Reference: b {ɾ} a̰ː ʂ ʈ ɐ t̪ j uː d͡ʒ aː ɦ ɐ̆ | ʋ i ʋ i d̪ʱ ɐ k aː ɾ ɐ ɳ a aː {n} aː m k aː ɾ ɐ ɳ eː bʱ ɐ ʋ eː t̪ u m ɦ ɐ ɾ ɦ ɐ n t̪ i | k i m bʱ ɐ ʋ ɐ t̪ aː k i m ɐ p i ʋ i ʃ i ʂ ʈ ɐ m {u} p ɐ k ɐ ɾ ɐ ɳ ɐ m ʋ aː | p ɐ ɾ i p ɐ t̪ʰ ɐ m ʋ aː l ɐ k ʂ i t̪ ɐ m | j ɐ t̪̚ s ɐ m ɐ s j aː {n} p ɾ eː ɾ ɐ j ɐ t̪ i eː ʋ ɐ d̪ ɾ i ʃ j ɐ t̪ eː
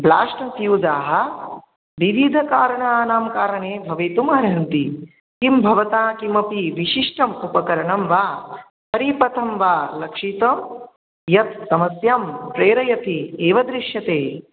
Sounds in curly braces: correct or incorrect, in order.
incorrect, correct, correct, incorrect

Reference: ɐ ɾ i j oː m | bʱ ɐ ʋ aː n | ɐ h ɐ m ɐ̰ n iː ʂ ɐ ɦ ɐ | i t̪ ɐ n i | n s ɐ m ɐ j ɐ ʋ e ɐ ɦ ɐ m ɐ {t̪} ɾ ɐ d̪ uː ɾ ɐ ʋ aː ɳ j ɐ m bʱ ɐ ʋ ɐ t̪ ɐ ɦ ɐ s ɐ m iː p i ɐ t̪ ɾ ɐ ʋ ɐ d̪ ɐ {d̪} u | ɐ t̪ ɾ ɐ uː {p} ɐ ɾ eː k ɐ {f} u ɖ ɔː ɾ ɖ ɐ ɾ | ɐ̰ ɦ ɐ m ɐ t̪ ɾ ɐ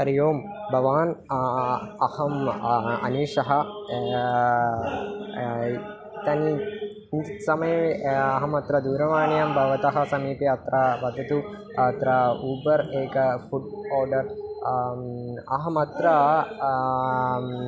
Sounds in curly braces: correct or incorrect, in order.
correct, incorrect, incorrect, correct

